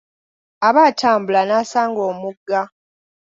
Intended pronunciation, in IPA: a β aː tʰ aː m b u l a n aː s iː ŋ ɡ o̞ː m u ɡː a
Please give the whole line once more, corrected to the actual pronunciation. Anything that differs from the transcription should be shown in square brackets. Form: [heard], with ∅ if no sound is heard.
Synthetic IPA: a β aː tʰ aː m b u l a n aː s [aː] ŋ ɡ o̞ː m u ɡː a